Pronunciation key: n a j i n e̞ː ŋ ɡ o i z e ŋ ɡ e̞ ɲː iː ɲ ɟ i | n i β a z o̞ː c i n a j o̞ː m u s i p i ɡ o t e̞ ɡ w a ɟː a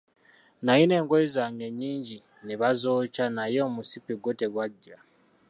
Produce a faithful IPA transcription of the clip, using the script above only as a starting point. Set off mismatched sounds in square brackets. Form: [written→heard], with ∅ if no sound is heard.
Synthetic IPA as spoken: n a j i n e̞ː ŋ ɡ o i z [e→a] ŋ ɡ e̞ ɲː iː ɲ ɟ i | n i β a z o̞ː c [i→a] n a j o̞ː m u s i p i ɡ o t e̞ ɡ w a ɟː a